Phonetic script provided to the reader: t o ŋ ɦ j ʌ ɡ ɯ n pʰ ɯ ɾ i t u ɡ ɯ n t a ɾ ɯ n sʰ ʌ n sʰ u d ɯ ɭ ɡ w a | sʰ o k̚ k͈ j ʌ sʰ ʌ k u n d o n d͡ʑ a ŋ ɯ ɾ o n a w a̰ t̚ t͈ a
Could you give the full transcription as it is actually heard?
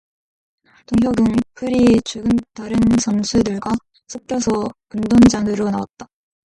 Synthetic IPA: t o ŋ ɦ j ʌ ɡ ɯ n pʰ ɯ ɾ i t͡ɕ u ɡ ɯ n t a ɾ ɯ n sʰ ʌ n sʰ u d ɯ ɭ ɡ w a | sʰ o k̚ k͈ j ʌ sʰ ʌ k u n d o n d͡ʑ a ŋ ɯ ɾ o n a w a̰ t̚ t͈ a